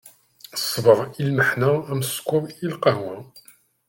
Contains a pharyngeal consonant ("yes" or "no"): yes